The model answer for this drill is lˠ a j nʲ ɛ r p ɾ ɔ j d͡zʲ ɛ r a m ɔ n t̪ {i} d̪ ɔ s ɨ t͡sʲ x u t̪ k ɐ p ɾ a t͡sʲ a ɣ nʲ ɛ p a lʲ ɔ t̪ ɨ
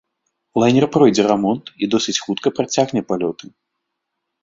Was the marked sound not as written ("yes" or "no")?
no